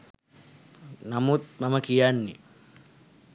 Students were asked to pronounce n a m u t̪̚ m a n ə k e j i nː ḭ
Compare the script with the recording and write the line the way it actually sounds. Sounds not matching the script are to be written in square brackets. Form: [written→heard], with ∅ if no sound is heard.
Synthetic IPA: n a m u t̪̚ m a [n→m] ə k [e→i] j [i→a] nː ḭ